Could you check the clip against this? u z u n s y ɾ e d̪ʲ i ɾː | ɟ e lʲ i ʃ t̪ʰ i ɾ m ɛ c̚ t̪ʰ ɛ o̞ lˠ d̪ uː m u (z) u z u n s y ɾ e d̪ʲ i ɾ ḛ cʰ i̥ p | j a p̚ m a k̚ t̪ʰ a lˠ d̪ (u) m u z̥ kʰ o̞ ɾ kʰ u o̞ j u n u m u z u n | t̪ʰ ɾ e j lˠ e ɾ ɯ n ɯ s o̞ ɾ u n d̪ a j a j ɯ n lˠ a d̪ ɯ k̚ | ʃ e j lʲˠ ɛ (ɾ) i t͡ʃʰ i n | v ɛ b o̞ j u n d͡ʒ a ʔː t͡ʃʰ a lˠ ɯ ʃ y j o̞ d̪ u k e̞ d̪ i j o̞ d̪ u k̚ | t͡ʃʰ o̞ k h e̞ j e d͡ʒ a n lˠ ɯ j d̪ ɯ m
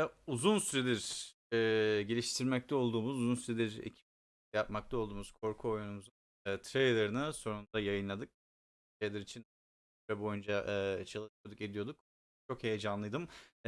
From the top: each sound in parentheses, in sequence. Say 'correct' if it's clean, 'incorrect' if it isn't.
correct, incorrect, correct

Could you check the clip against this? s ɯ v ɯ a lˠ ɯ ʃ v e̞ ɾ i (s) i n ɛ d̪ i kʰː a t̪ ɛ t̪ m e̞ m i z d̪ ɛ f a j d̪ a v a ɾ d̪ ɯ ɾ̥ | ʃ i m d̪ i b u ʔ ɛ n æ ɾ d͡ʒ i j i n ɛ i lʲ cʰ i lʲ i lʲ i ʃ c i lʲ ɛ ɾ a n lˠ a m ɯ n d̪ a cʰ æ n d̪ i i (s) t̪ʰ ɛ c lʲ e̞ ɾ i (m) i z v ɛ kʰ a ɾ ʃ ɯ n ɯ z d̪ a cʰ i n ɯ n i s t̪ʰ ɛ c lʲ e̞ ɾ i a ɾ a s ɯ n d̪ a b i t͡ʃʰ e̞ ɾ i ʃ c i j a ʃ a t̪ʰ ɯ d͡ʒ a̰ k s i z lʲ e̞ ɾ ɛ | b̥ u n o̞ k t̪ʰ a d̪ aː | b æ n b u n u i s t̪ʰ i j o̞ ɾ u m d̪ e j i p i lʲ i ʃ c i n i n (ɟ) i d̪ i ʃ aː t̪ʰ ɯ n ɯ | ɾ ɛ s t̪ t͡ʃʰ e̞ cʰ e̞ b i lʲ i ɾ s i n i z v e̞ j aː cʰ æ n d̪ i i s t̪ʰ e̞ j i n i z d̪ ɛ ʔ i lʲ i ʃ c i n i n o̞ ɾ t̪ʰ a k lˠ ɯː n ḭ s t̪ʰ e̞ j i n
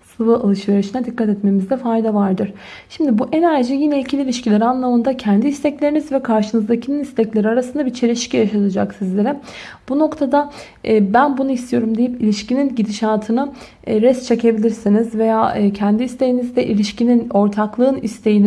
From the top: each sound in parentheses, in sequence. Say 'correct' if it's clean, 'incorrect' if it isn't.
incorrect, correct, incorrect, correct

